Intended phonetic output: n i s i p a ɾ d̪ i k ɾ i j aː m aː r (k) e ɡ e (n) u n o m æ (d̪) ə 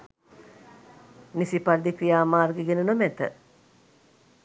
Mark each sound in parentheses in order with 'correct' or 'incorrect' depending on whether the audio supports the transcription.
incorrect: ɡ, correct, incorrect: t̪

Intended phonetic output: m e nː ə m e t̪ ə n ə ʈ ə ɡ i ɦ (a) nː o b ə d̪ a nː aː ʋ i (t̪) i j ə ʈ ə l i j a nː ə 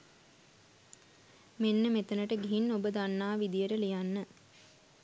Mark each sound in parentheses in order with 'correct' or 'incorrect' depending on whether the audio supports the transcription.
incorrect: i, incorrect: d̪

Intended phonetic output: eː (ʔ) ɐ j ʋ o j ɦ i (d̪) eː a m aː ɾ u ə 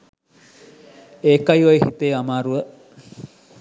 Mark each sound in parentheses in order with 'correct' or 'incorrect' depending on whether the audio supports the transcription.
incorrect: k, incorrect: t̪

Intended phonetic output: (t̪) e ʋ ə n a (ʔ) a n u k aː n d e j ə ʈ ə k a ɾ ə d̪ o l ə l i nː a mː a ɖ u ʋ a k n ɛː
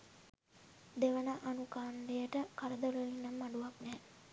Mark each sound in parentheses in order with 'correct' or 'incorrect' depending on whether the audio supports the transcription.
incorrect: d̪, correct

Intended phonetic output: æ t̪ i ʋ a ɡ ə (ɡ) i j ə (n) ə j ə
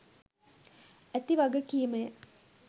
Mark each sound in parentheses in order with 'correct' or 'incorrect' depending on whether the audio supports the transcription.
incorrect: k, incorrect: m

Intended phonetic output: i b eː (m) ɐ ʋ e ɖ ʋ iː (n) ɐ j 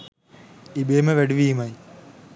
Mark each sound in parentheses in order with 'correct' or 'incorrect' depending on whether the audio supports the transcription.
correct, incorrect: m

